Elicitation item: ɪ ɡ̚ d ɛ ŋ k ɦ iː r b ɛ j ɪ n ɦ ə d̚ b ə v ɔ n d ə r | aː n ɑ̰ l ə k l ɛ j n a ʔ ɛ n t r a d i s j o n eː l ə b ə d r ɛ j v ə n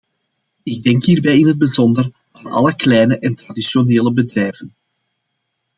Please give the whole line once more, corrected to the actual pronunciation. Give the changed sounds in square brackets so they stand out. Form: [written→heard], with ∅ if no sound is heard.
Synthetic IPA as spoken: ɪ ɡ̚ d ɛ ŋ k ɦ iː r b ɛ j ɪ n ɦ ə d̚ b ə [v→z] ɔ n d ə r | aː n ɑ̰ l ə k l ɛ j n [a→ə] ʔ ɛ n t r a d i s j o n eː l ə b ə d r ɛ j v ə n